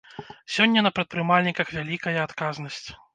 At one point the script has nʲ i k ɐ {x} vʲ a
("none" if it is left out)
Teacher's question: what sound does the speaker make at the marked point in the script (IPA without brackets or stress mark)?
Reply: x